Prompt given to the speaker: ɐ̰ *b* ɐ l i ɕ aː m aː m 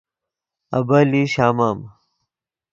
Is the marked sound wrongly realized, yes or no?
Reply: no